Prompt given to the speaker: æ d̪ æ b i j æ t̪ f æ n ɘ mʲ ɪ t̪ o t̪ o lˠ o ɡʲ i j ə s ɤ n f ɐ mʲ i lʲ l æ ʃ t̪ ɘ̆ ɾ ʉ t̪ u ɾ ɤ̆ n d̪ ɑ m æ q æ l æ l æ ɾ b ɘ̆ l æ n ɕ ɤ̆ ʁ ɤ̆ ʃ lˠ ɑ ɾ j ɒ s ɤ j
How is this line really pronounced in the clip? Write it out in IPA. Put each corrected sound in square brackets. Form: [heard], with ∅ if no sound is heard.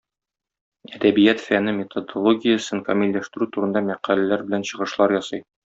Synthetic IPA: æ d̪ æ b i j æ t̪ f æ n ɘ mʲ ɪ t̪ o [d̪] o lˠ o ɡʲ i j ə s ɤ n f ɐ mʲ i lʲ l æ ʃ t̪ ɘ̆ ɾ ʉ t̪ u ɾ ɤ̆ n d̪ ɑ m æ q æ l æ l æ ɾ b ɘ̆ l æ n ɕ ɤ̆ ʁ ɤ̆ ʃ lˠ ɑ ɾ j ɒ s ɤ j